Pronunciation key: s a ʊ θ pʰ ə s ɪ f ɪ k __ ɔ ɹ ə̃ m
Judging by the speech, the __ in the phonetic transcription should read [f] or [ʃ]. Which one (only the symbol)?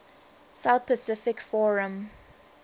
f